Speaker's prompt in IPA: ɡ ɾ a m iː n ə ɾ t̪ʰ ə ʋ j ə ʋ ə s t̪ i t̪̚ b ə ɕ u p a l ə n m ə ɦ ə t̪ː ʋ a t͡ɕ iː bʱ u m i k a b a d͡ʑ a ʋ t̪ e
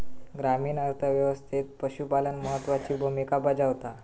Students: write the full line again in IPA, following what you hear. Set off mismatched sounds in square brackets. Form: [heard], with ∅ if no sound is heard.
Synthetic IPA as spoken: ɡ ɾ a m iː n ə ɾ t̪ʰ ə ʋ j ə ʋ ə s [t̪ʰ] i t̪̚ [p] ə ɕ u p a l ə n m ə ɦ ə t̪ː ʋ a t͡ɕ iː bʱ u m i k a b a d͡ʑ a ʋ t̪ [a]